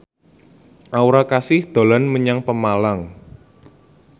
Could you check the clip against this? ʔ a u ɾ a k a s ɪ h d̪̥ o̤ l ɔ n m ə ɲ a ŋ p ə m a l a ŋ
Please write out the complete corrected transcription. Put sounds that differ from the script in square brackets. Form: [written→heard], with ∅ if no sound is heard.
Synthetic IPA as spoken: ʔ a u ɾ a k a s ɪ h d̪̥ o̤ l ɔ n m ə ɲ a ŋ p ə m a l a ŋ

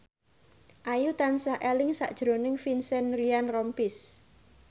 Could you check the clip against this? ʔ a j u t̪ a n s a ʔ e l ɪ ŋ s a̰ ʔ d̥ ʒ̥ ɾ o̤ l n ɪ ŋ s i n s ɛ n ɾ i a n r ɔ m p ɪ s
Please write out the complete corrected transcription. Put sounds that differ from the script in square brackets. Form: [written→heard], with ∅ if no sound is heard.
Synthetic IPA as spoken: ʔ a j u t̪ a n s a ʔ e l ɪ ŋ s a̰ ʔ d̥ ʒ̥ ɾ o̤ [l→∅] n ɪ ŋ [s→f] i n s ɛ n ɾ i a n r ɔ m p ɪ s

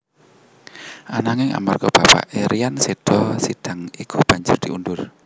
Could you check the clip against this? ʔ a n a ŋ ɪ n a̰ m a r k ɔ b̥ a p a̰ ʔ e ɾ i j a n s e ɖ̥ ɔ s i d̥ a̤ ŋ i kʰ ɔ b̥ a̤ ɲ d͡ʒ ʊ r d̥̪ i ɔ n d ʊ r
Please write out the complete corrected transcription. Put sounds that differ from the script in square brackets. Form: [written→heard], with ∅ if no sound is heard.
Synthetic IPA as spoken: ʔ a n a ŋ ɪ [n→ŋ] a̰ m a r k ɔ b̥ a p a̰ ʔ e ɾ i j a n s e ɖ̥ ɔ s i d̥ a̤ ŋ i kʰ [ɔ→u] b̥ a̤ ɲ d͡ʒ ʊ r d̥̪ i [ɔ→u] n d ʊ r

